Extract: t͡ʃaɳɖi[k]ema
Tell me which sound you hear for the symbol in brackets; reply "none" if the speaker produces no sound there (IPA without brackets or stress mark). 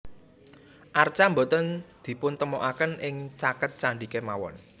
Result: k